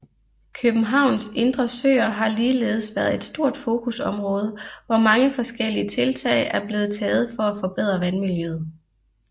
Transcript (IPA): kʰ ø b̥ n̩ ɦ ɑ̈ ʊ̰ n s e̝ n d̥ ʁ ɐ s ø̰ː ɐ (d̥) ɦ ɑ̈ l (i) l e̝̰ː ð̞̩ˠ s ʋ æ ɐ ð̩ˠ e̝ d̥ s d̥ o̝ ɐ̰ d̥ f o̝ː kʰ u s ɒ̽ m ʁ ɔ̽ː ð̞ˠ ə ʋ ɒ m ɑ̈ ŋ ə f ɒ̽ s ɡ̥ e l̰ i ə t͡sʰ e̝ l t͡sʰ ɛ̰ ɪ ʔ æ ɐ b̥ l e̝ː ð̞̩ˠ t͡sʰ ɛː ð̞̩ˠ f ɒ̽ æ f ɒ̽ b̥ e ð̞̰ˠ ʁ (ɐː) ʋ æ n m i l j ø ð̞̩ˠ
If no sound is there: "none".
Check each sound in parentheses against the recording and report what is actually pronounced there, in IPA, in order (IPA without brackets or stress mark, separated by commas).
none, iː, ɐ